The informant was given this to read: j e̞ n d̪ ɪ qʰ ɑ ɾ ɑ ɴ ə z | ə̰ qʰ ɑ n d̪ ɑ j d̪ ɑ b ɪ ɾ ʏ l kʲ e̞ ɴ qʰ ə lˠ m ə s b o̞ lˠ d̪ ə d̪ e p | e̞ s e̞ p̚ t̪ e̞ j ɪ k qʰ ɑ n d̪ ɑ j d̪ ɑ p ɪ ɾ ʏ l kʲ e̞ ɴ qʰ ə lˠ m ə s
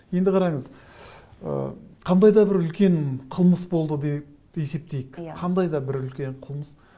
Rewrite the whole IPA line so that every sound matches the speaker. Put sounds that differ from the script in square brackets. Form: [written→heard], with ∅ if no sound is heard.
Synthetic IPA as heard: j e̞ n d̪ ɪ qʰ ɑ ɾ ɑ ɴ ə z | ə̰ qʰ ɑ n d̪ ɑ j d̪ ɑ b ɪ ɾ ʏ l kʲ e̞ ɴ qʰ ə lˠ m ə s b o̞ lˠ d̪ ə d̪ e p | e̞ s e̞ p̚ t̪ e̞ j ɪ k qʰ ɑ n d̪ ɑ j d̪ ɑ [p→b] ɪ ɾ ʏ l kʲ e̞ ɴ qʰ ə lˠ m ə s